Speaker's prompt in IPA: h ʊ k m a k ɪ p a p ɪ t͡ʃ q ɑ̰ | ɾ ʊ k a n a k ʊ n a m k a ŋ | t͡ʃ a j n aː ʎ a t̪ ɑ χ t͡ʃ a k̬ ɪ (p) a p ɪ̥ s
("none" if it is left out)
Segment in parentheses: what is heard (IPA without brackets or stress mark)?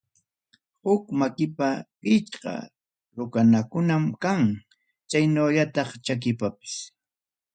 p